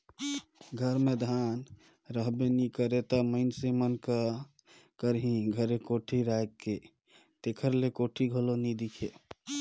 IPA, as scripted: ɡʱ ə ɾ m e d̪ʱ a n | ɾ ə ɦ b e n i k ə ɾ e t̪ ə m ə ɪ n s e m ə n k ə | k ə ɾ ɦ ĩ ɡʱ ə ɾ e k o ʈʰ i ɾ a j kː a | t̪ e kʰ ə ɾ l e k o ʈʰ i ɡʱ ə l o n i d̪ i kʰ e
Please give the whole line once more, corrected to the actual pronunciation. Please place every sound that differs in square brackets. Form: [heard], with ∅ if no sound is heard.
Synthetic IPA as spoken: ɡʱ ə ɾ m e d̪ʱ a n | ɾ ə ɦ b e n i k ə ɾ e t̪ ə m ə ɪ n s e m ə n k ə | k ə ɾ ɦ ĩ ɡʱ ə ɾ e k o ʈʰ i ɾ a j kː [e] | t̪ e kʰ ə ɾ l e k o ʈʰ i ɡʱ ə l o n i d̪ i kʰ e